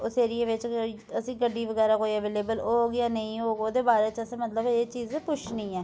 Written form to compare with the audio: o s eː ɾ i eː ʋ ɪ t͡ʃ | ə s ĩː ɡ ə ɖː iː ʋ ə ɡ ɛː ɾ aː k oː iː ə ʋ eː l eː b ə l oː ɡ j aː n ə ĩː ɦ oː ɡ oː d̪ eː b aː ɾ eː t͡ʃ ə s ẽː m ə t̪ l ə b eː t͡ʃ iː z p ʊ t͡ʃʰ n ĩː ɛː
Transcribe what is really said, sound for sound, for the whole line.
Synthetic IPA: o s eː ɾ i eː ʋ ɪ t͡ʃ | ə s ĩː ɡ ə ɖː iː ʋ ə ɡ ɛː ɾ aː k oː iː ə ʋ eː l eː b ə l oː ɡ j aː n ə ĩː ɦ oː ɡ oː d̪ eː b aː ɾ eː t͡ʃ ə s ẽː m ə t̪ l ə b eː t͡ʃ iː z p ʊ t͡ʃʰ n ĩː ɛː

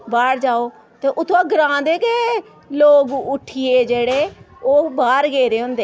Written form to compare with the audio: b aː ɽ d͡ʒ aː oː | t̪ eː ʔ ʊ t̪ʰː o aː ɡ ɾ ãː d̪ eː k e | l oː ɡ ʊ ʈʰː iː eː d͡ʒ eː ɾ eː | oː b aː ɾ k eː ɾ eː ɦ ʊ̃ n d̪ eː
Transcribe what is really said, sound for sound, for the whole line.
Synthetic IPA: b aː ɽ d͡ʒ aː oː | t̪ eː ʔ ʊ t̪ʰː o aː ɡ ɾ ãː d̪ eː k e | l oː ɡ ʊ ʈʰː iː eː d͡ʒ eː ɽ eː | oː b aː ɾ ɡ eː ɾ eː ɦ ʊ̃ n d̪ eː

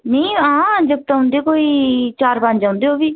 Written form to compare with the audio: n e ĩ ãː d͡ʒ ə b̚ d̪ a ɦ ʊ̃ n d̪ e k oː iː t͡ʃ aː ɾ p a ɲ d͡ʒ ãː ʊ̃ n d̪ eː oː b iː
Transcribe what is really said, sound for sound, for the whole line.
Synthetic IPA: n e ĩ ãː d͡ʒ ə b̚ t̪ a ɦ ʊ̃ n d̪ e k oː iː t͡ʃ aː ɾ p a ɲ d͡ʒ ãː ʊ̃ n d̪ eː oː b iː

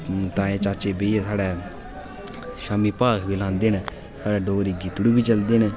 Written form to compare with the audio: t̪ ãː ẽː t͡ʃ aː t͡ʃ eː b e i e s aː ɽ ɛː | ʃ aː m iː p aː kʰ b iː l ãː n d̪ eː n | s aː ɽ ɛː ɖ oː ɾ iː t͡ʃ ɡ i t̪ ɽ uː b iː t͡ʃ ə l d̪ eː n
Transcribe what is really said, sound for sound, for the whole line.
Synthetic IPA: t̪ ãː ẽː t͡ʃ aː t͡ʃ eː b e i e s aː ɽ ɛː | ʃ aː m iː p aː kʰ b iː l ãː n d̪ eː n | s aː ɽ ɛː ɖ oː ɾ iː ɡ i t̪ ɽ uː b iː t͡ʃ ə l d̪ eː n

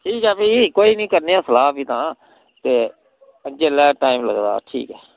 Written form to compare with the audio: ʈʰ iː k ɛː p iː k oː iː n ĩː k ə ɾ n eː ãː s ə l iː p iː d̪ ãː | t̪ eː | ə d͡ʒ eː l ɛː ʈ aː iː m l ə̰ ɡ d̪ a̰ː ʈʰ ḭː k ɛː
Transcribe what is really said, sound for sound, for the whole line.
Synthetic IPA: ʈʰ iː k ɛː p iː k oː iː n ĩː k ə ɾ n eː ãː s ə l aː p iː t̪ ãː | t̪ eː | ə d͡ʒ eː l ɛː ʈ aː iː m l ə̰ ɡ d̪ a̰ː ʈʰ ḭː k ɛː

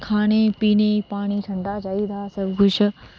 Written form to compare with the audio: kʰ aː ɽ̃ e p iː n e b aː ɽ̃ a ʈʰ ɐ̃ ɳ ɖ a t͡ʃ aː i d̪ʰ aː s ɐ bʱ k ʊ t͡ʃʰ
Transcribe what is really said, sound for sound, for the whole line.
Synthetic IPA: kʰ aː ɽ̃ e p iː n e p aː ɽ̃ i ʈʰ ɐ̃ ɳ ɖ a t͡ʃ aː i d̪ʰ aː s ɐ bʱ k ʊ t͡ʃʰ

